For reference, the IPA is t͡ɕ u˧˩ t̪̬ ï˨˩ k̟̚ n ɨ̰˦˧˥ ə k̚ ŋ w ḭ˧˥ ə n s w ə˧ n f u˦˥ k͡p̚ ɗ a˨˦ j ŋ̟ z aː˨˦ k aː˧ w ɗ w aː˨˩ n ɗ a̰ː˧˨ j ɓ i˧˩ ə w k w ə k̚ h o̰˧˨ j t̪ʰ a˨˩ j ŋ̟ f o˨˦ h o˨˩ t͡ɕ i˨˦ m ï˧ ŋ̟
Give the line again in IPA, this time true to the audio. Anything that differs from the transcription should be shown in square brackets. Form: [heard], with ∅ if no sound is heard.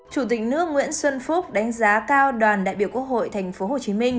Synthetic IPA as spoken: t͡ɕ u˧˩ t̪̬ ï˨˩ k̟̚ n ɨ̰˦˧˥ ə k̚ ŋ w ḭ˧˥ ə n s w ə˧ n f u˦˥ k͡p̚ ɗ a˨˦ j ŋ̟ z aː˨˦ k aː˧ w ɗ w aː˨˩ n ɗ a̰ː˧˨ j ɓ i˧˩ ə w k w ə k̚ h o̰˧˨ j t̪ʰ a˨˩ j ŋ̟ f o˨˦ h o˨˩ t͡ɕ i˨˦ m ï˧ ŋ̟